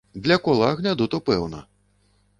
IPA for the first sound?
d̪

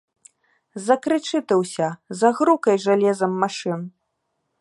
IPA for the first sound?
z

